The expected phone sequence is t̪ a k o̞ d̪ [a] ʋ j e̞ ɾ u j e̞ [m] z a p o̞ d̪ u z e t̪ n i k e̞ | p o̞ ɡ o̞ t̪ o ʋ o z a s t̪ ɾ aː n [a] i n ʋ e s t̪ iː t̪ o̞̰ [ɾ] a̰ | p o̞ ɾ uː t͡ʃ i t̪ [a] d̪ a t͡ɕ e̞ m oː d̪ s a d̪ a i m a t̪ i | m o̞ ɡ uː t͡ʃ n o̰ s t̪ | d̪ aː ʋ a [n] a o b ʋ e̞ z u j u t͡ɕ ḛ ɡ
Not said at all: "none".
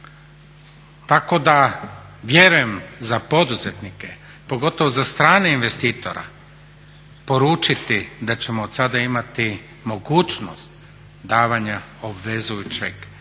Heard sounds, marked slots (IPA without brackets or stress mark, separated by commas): a, m, e, ɾ, i, ɲ